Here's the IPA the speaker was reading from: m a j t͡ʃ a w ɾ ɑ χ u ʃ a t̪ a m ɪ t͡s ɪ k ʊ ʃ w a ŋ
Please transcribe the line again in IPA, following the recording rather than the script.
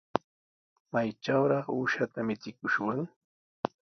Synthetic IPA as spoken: m a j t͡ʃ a w ɾ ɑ χ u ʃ a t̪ a m ɪ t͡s ɪ k ʊ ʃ w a ŋ